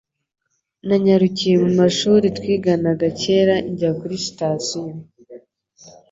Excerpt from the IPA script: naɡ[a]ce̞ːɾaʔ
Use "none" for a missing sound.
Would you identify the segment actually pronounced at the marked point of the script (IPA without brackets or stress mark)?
a